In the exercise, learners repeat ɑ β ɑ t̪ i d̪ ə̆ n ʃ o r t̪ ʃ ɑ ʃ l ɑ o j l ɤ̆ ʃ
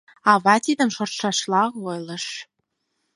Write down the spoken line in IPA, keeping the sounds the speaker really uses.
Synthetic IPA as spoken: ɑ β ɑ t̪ i d̪ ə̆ m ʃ o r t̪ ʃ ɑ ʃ l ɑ o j l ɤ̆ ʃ